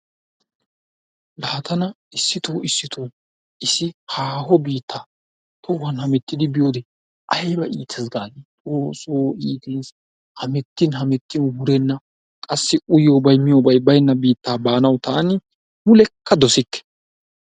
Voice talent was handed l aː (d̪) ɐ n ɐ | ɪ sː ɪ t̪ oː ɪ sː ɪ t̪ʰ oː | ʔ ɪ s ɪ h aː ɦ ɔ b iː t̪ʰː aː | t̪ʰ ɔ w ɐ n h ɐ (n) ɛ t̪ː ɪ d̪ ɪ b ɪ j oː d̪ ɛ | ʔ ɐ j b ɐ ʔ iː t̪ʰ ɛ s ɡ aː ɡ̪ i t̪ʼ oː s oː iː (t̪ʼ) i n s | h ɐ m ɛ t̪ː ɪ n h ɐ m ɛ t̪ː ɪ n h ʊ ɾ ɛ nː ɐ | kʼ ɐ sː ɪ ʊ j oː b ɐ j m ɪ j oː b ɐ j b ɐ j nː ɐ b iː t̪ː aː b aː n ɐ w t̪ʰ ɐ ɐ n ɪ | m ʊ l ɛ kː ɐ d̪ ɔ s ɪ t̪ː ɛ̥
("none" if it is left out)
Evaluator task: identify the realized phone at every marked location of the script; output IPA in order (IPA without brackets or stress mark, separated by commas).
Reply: t̪, m, t̪